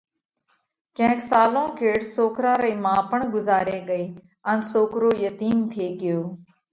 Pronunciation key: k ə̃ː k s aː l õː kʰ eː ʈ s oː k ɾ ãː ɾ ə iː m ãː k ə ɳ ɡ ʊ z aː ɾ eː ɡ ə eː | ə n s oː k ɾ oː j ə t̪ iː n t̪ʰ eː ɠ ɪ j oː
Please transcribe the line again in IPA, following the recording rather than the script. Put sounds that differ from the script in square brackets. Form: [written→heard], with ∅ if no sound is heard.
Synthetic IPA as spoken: k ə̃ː k s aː l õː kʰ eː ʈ s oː k ɾ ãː ɾ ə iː m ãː [k→p] ə ɳ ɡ ʊ z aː ɾ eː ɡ ə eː | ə n s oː k ɾ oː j ə t̪ iː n t̪ʰ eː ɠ ɪ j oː